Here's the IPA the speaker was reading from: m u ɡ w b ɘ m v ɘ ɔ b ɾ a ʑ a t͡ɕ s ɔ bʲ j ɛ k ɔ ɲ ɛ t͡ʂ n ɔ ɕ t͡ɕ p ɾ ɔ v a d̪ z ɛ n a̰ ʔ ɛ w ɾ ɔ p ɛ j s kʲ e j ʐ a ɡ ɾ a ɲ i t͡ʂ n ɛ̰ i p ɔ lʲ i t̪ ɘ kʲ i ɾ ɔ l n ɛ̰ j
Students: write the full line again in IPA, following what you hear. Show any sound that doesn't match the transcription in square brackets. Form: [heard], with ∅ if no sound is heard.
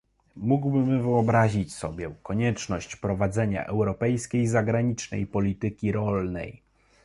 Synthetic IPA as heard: m u ɡ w b ɘ m v ɘ ɔ b ɾ a ʑ [i] t͡ɕ s ɔ bʲ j ɛ k ɔ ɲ ɛ t͡ʂ n ɔ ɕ t͡ɕ p ɾ ɔ v a d̪ z ɛ [ɲ] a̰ ʔ ɛ w ɾ ɔ p ɛ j s kʲ e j [z] a ɡ ɾ a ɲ i t͡ʂ n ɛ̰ [j] p ɔ lʲ i t̪ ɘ kʲ i ɾ ɔ l n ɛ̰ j